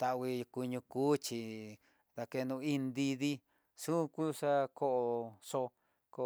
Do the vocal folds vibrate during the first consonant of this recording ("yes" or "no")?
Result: no